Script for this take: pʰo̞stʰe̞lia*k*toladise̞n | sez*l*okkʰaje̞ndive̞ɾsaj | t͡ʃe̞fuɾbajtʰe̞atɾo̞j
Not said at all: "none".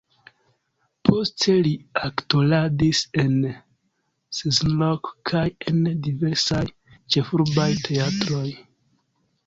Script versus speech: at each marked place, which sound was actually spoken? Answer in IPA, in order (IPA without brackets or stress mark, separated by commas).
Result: k, l